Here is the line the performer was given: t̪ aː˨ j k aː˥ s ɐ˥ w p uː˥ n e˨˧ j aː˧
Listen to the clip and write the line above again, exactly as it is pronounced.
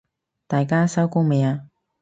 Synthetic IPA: t̪ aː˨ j k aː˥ s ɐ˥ w k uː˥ m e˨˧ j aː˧

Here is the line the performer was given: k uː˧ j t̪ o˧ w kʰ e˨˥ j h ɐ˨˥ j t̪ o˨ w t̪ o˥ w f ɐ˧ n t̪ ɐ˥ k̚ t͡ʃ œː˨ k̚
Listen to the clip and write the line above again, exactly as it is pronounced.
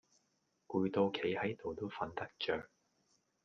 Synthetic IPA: k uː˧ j t̪ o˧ w kʰ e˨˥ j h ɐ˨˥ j t̪ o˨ w t̪ o˥ w f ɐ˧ n t̪ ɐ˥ k̚ t͡ʃ œː˨ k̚

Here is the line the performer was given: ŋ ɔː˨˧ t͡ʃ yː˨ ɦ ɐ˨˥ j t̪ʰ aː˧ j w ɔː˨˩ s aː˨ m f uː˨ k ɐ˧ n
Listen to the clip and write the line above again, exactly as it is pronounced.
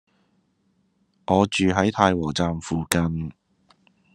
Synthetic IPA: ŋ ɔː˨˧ t͡ʃ yː˨ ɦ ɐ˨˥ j t̪ʰ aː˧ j w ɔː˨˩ t͡s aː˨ m f uː˨ k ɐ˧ n

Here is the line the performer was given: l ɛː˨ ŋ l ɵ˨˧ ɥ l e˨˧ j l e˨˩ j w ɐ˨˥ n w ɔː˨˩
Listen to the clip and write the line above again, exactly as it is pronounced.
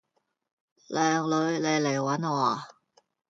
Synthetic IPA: l ɛː˨ ŋ l ɵ˨˧ ɥ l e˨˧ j l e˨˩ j w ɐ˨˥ n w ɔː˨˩

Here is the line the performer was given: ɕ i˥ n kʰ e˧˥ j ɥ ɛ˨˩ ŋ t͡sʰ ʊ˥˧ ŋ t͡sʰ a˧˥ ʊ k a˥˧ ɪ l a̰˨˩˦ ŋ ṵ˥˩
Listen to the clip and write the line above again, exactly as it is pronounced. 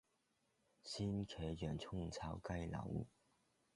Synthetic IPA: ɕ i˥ n kʰ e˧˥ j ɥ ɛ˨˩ n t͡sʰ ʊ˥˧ ŋ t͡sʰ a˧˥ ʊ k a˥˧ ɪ l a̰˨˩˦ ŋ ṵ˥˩

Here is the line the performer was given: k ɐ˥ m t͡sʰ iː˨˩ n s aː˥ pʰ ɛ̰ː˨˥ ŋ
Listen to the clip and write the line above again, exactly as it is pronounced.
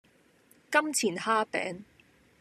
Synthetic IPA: k ɐ˥ m t͡sʰ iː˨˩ n h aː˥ p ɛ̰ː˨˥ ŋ

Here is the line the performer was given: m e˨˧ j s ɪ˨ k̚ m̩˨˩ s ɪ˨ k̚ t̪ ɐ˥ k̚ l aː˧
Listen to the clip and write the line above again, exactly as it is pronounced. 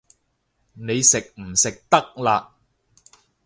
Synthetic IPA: n e˨˧ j s ɪ˨ k̚ m̩˨˩ s ɪ˨ k̚ t̪ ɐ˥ k̚ l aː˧

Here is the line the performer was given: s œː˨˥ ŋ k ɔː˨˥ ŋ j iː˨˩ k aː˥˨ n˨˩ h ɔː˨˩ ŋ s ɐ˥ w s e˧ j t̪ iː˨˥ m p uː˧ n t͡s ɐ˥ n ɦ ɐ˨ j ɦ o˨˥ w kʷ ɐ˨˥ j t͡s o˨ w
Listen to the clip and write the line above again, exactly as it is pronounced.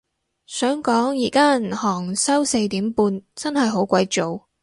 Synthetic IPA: s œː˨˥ ŋ k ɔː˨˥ ŋ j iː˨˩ k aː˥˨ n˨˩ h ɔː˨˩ ŋ s ɐ˥ w s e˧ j t̪ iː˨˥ m p uː˧ n t͡s ɐ˥ n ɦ ɐ˨ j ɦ o˨˥ w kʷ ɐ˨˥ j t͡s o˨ w

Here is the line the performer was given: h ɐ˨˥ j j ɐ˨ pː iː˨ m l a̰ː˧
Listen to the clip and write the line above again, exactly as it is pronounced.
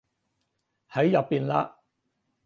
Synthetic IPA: h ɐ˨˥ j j ɐ˨ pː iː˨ n l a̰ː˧

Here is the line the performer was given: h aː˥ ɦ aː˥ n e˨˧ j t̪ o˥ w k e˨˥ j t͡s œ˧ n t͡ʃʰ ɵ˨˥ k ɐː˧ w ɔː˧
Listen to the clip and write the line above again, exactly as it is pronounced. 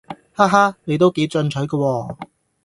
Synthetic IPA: h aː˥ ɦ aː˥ n e˨˧ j t̪ o˥ w k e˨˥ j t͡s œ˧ n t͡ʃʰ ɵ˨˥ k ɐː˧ w ɔː˧

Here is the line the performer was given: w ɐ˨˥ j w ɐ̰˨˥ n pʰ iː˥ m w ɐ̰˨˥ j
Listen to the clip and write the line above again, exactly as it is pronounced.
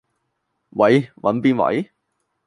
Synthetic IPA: w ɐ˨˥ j w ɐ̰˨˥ n p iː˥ n w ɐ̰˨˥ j

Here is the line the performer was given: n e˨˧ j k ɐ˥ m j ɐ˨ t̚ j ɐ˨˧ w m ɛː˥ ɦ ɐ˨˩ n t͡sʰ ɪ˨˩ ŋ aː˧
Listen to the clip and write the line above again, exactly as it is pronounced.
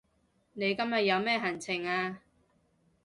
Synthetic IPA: n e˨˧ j k ɐ˥ m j ɐ˨ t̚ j ɐ˨˧ w m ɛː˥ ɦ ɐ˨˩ n t͡sʰ ɪ˨˩ ŋ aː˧

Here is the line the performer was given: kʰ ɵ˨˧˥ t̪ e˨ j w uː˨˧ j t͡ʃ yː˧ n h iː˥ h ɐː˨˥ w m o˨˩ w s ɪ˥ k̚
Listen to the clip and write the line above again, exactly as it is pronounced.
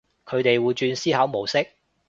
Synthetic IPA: kʰ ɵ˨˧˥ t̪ e˨ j w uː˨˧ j t͡ʃ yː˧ n s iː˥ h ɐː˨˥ w m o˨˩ w s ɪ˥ k̚

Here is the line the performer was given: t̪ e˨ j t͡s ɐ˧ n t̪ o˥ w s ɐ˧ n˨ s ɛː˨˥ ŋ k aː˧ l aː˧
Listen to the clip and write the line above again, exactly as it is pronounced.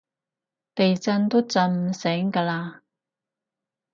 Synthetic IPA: t̪ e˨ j t͡s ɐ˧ n t̪ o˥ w t͡s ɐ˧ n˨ s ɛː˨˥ ŋ k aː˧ l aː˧

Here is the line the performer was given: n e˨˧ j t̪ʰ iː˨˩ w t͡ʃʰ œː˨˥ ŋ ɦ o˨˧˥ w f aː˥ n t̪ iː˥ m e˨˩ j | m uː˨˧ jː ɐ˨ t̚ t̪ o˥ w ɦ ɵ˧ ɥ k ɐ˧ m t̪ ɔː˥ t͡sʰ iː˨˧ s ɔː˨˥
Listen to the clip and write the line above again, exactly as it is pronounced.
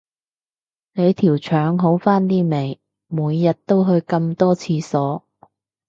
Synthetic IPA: n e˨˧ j t̪ʰ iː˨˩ w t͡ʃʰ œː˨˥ ŋ ɦ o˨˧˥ w f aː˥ n t̪ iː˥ m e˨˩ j | m uː˨˧ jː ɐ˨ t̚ t̪ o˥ w ɦ ɵ˧ ɥ k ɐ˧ m t̪ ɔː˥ t͡sʰ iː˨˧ s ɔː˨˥

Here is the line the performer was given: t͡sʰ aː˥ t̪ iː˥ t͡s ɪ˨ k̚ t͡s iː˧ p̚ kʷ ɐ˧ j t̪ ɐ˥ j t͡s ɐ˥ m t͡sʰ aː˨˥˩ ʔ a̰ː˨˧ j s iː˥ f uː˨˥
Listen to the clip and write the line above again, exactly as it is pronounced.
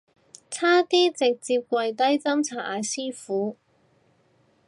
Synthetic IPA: t͡sʰ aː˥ t̪ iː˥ t͡s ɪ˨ k̚ t͡s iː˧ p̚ kʷ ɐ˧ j t̪ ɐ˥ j t͡s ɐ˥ m t͡sʰ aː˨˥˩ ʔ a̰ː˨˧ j s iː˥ f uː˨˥

